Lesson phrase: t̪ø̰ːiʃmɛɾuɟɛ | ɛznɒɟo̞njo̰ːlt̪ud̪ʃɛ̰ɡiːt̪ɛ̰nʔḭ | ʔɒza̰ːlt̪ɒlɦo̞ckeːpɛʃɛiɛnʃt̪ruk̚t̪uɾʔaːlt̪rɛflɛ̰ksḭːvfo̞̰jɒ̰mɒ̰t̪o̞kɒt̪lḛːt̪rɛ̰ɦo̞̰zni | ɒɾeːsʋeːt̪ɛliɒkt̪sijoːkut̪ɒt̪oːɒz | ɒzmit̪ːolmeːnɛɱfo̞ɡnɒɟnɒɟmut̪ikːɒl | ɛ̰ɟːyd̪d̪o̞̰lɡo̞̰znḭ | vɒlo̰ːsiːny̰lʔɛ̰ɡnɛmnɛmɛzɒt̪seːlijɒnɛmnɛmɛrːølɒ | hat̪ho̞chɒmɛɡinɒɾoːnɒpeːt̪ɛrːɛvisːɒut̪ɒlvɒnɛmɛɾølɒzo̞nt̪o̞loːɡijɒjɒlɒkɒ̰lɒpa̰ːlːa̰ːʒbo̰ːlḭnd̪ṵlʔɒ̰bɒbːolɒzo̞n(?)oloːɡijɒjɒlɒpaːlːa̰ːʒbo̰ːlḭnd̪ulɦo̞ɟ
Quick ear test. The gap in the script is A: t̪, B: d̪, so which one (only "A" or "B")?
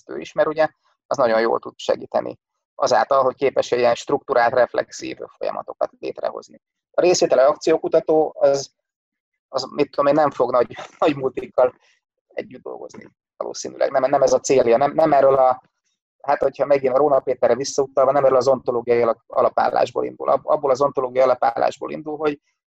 A